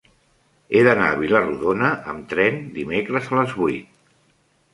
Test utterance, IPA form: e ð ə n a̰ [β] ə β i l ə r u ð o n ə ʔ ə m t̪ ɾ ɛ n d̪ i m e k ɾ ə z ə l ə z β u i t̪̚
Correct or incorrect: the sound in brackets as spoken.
incorrect: none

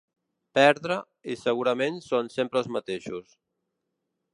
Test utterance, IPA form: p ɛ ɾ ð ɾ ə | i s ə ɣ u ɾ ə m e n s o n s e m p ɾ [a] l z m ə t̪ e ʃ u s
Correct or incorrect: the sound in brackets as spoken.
incorrect: ə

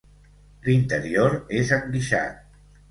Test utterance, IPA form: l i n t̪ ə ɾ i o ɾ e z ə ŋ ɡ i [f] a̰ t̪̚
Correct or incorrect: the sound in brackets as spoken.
incorrect: ʃ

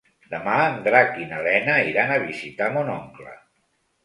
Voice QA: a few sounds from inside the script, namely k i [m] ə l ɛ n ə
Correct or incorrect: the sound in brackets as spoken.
incorrect: n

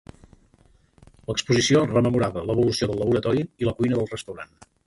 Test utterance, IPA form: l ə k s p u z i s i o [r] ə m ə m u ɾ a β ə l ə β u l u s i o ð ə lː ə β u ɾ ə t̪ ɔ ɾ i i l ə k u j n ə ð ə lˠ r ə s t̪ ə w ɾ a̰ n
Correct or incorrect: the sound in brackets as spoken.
correct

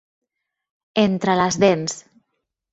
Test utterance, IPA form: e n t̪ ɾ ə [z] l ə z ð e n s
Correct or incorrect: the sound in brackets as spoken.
incorrect: none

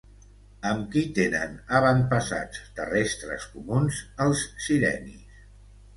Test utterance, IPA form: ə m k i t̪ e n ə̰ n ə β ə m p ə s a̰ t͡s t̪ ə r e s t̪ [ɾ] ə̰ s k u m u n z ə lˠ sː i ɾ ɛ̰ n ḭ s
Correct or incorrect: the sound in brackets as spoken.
correct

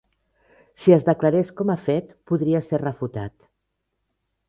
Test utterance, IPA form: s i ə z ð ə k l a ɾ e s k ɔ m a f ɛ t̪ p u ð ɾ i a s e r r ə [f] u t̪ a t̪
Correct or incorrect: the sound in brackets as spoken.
correct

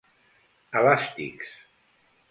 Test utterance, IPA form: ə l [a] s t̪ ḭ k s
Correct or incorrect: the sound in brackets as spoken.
correct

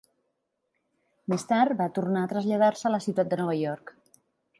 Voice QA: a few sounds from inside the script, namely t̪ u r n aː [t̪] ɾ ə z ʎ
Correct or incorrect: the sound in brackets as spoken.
correct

